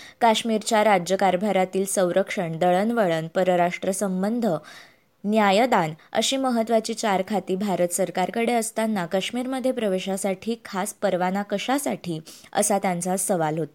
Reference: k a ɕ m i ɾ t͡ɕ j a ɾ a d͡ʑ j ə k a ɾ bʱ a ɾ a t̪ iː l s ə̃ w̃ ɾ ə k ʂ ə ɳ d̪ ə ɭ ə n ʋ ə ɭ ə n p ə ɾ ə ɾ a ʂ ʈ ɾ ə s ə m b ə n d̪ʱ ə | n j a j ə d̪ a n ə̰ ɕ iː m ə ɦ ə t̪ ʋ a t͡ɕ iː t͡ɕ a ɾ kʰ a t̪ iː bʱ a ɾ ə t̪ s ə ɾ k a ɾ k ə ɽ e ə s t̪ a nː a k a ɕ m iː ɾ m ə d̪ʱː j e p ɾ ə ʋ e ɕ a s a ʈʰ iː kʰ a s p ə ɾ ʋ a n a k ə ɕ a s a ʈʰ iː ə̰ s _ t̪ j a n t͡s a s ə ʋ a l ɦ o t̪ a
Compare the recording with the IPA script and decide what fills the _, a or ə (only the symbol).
a